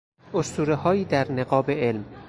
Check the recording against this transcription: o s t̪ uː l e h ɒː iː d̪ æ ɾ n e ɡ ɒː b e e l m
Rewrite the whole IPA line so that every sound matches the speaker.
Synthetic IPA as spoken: o s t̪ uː ɾ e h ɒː iː d̪ æ ɾ n e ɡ ɒː b e e l m